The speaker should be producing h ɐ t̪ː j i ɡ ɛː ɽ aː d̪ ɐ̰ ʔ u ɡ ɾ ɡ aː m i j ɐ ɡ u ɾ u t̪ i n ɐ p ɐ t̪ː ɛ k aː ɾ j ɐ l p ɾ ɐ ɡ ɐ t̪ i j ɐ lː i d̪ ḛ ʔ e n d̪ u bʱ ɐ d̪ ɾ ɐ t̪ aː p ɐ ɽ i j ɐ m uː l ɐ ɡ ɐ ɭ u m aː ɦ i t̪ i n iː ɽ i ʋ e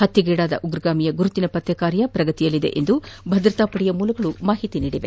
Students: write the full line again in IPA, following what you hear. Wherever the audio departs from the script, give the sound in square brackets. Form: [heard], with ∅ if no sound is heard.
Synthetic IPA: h ɐ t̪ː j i ɡ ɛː ɽ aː d̪ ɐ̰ ʔ u ɡ ɾ ɡ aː m i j ɐ ɡ u ɾ u t̪ i n ɐ p ɐ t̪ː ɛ k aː ɾ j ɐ [∅] p ɾ ɐ ɡ ɐ t̪ i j ɐ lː i d̪ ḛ ʔ e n d̪ u bʱ ɐ d̪ ɾ ɐ t̪ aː p ɐ ɽ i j ɐ m uː l ɐ ɡ ɐ ɭ u m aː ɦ i t̪ i n iː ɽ i ʋ e